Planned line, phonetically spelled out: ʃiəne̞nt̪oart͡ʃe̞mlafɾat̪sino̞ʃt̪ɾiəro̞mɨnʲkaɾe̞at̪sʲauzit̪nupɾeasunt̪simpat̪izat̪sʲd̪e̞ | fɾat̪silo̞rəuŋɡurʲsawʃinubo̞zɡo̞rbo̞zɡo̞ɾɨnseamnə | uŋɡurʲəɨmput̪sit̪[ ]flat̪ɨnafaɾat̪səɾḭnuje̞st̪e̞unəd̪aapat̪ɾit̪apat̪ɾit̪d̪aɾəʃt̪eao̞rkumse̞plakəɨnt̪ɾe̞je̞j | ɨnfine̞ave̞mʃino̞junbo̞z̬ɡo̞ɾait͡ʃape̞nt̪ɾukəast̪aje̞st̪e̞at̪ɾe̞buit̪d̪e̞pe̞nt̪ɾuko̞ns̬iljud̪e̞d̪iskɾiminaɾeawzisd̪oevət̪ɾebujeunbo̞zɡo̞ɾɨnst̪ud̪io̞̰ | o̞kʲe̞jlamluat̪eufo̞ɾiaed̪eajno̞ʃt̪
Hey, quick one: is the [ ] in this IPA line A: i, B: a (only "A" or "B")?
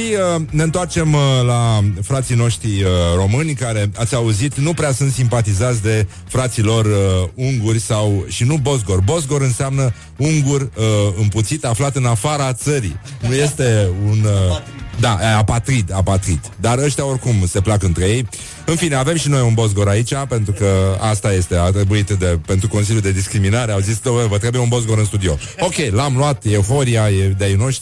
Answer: B